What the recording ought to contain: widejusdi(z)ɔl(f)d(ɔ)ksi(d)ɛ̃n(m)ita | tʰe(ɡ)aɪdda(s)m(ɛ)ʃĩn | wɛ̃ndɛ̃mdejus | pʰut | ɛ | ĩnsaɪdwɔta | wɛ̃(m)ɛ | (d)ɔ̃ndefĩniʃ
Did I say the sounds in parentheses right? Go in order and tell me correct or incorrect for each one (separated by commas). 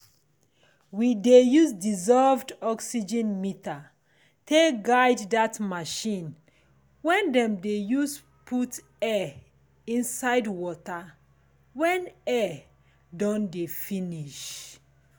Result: correct, incorrect, correct, incorrect, correct, correct, incorrect, incorrect, incorrect, correct